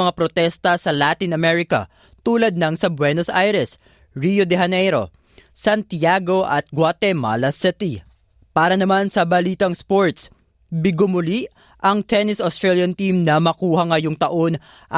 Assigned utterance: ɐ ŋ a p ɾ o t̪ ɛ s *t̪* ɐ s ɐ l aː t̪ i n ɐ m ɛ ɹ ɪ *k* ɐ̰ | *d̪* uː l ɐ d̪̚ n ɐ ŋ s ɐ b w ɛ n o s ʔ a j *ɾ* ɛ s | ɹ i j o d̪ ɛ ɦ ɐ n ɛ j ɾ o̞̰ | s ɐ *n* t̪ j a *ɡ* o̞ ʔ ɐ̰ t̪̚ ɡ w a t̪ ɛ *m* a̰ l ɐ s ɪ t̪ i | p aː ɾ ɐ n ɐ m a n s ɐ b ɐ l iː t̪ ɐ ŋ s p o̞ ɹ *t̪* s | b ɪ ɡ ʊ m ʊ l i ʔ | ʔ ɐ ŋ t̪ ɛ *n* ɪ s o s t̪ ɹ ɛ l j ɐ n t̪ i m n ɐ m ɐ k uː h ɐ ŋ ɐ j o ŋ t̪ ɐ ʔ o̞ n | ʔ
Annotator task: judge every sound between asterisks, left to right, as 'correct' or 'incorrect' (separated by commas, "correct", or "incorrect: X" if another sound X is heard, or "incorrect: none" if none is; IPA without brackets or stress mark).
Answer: correct, correct, incorrect: t̪, correct, correct, correct, correct, correct, correct